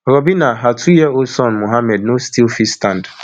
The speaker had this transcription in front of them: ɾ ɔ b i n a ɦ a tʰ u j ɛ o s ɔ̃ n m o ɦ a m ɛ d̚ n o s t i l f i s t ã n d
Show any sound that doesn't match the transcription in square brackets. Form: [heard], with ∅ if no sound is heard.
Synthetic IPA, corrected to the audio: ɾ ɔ b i n a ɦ a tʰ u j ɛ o s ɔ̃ n m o ɦ a m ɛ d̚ n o s t i l f i s t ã n d